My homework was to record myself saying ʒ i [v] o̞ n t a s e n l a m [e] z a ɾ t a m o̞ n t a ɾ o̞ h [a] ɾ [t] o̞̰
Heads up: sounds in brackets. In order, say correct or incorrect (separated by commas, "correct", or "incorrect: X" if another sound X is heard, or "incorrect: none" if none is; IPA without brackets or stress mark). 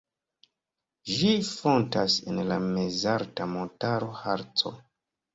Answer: incorrect: f, correct, correct, incorrect: t͡s